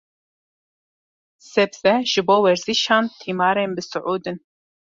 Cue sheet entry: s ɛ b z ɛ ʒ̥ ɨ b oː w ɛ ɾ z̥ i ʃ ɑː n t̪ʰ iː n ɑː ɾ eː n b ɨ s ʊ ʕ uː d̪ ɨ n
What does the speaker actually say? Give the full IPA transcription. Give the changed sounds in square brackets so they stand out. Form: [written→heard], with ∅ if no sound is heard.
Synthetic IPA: s ɛ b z ɛ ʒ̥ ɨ b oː w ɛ ɾ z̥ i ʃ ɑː n t̪ʰ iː [n→m] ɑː ɾ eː n b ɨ s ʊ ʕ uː d̪ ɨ n